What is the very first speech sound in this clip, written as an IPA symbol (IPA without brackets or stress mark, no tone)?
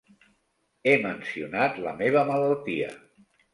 e